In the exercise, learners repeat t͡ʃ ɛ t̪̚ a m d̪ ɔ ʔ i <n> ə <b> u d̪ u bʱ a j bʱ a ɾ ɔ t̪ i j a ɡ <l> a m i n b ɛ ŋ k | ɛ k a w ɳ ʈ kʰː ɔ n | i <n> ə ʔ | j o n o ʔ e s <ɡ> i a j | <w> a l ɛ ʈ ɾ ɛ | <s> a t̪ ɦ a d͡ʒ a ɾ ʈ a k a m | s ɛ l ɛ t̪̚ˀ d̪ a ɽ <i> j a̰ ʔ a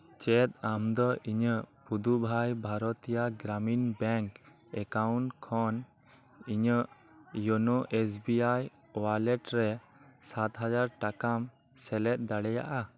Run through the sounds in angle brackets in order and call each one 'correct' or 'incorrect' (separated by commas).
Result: incorrect, incorrect, incorrect, incorrect, incorrect, correct, correct, incorrect